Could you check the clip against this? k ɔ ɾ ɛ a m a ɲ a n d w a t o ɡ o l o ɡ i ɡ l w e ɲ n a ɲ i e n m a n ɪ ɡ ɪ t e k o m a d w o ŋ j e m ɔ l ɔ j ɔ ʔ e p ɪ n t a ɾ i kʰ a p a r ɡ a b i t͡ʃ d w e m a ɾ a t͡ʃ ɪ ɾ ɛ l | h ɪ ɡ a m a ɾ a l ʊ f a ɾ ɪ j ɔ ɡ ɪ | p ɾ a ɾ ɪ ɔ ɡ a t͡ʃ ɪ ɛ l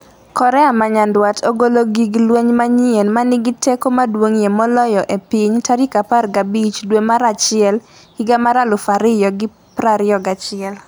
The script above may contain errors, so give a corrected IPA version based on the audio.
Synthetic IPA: k ɔ ɾ ɛ a m a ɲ a n d w a t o ɡ o l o ɡ i ɡ l w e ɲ m a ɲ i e n m a n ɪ ɡ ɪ t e k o m a d w o ŋ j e m ɔ l ɔ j ɔ ʔ e p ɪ ɲ t a ɾ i k a p a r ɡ a b i t͡ʃ d w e m a ɾ a t͡ʃ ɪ ɛ l | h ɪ ɡ a m a ɾ a l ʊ f a ɾ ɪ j ɔ ɡ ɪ | p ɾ a ɾ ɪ ɔ ɡ a t͡ʃ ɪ ɛ l